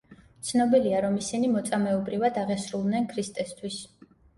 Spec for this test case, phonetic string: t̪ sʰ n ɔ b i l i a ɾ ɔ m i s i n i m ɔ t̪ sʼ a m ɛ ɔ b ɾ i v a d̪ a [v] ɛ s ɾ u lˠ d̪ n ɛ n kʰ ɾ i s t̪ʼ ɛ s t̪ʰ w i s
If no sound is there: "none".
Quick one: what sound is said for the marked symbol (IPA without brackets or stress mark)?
ʁ